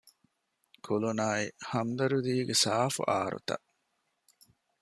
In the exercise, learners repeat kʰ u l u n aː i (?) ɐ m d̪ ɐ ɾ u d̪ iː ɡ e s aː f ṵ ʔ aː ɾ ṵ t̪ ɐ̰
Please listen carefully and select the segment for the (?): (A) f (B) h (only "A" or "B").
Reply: B